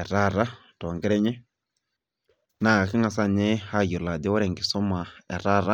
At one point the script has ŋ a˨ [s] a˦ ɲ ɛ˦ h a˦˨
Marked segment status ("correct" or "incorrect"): correct